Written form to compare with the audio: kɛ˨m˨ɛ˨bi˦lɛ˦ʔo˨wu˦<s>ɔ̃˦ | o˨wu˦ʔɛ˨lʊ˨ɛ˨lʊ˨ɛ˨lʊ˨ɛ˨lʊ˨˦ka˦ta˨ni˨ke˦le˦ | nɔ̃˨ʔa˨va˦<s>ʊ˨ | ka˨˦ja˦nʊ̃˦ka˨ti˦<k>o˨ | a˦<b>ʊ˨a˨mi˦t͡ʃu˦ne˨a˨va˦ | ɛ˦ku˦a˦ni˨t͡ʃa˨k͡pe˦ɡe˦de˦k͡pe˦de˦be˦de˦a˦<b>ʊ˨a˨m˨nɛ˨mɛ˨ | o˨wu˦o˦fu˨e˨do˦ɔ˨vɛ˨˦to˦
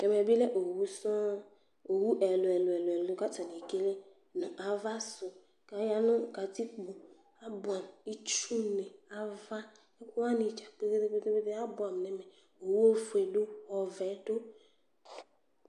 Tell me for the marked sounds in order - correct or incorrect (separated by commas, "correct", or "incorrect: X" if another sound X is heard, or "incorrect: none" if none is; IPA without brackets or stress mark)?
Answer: correct, correct, incorrect: k͡p, correct, correct